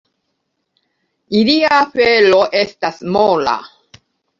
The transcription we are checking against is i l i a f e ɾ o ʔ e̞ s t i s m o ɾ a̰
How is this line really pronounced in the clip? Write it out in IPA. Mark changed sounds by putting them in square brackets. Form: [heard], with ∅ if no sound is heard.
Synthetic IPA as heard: i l i a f e [l] o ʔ e̞ s t [a] s m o [l] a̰